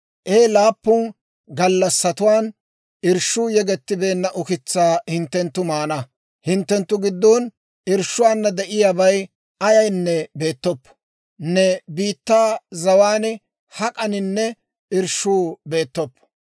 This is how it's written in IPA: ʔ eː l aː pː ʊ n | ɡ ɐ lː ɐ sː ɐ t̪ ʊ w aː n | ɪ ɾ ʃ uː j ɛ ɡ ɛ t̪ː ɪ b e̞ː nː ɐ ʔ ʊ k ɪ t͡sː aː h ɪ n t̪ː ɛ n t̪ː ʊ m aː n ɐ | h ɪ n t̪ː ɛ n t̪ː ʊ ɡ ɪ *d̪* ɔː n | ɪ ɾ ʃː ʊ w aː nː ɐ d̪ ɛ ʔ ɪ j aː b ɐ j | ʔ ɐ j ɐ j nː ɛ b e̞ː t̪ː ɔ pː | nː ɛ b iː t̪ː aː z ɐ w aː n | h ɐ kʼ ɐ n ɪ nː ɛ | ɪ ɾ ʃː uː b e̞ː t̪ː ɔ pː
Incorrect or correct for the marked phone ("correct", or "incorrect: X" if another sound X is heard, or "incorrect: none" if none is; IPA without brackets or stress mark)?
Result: incorrect: d̪ː